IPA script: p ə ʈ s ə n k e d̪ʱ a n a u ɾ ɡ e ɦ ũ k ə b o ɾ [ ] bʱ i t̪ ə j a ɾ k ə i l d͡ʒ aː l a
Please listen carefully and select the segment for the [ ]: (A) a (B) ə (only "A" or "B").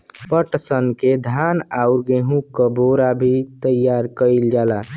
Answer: A